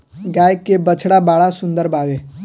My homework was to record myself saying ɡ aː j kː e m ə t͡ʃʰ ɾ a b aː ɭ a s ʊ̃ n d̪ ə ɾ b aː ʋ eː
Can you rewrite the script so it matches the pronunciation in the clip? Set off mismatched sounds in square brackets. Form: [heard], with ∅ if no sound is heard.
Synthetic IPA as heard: ɡ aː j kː e [b] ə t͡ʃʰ [ɽ] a b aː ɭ a s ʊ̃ n d̪ ə ɾ b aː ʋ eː